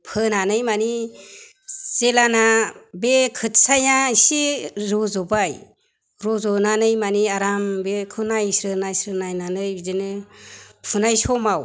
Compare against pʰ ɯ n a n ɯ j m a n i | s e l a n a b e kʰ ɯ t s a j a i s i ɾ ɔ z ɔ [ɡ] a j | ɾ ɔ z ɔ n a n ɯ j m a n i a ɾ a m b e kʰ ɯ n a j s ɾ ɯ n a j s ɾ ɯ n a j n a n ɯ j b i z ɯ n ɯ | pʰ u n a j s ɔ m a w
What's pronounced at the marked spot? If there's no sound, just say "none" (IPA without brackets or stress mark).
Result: b